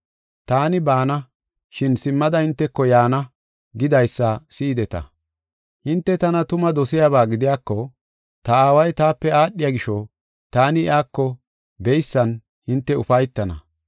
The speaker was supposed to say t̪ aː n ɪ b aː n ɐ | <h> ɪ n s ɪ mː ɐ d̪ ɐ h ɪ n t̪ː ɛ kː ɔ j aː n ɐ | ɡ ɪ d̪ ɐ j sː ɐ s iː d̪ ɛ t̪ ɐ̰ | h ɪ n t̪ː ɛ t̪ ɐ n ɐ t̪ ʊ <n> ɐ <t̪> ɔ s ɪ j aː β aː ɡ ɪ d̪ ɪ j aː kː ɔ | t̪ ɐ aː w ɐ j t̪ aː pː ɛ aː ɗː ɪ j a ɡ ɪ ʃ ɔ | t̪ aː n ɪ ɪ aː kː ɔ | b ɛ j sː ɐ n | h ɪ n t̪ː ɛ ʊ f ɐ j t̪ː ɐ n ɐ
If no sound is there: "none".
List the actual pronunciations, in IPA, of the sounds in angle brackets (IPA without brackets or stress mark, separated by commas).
ʃ, m, d̪